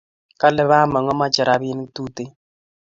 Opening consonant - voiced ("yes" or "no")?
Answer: no